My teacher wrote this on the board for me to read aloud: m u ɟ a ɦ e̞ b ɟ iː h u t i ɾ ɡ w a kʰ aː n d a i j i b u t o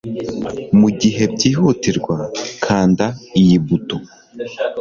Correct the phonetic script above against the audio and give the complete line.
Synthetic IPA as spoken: m u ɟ i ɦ e̞ b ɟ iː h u t i ɾ ɡ w a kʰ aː n d a i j i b u t o